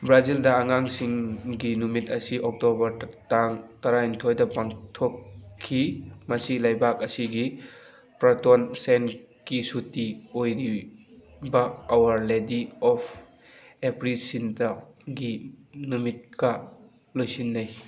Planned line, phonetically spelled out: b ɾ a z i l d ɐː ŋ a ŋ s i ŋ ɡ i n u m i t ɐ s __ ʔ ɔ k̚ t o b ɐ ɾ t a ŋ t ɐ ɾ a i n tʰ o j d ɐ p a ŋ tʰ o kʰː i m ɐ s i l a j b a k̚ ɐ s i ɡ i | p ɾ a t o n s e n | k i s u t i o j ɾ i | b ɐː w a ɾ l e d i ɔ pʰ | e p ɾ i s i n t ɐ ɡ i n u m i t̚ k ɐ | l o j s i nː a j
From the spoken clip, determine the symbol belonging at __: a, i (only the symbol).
i